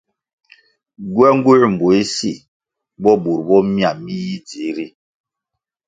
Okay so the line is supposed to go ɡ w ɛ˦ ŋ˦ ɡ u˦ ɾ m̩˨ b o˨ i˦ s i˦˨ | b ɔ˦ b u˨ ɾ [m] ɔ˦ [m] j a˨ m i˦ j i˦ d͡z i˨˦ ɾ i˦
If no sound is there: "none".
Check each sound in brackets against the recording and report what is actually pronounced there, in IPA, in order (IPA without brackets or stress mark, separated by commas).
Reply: b, m